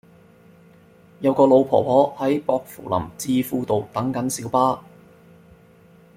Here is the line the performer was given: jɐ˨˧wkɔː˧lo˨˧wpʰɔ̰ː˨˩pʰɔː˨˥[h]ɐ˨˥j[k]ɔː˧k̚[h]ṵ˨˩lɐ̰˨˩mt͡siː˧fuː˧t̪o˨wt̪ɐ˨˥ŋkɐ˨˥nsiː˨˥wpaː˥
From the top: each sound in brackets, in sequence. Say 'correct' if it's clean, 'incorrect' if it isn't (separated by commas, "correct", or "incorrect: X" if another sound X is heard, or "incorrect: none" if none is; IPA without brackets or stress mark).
correct, incorrect: p, incorrect: f